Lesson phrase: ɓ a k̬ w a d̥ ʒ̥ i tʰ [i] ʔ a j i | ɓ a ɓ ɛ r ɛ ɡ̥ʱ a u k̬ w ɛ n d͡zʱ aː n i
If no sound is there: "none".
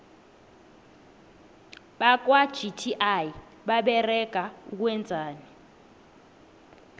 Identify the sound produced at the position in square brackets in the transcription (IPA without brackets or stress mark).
i